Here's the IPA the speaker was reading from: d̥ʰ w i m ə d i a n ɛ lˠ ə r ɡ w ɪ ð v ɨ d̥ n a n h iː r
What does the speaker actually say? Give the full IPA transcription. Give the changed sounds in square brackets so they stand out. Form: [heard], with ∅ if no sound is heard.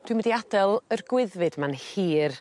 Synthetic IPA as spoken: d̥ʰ w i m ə d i a [d] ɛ lˠ ə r ɡ w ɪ ð v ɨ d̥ [m] a n h iː r